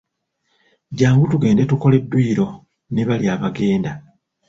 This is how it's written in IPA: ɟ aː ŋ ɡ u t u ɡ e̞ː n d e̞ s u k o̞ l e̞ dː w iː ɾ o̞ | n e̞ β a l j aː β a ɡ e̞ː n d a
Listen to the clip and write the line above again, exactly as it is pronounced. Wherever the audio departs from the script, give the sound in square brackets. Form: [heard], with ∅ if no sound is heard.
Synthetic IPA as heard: ɟ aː ŋ ɡ u t u ɡ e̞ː n d e̞ [t] u k o̞ l e̞ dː w iː ɾ o̞ | n e̞ β a l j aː β a ɡ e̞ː n d a